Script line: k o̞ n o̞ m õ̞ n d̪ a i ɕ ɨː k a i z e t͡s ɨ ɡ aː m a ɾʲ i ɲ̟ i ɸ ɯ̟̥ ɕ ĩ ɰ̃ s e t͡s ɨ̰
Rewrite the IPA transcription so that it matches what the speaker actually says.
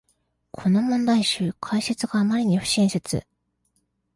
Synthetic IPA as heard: kʰ o̞ n o̞ m õ̞ n d̪ a i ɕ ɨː kʰ a i s e t͡s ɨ ɡ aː m a ɾʲ i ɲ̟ i ɸ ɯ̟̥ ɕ ĩ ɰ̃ s e t͡s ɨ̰